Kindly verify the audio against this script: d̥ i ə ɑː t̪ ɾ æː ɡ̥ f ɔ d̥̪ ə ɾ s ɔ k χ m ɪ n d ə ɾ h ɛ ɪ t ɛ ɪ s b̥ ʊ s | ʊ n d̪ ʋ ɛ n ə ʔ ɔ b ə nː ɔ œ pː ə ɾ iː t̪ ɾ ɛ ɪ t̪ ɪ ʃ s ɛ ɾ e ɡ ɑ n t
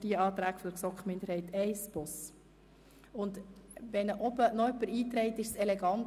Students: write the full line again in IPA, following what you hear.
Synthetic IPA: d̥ i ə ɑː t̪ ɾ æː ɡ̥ f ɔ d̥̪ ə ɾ s ɔ k χ m ɪ n d ə ɾ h ɛ ɪ t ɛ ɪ s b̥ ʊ s | ʊ n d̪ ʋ ɛ n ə ʔ ɔ b ə n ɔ œ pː ə ɾ iː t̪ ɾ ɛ ɪ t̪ ɪ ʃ s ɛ l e ɡ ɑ n t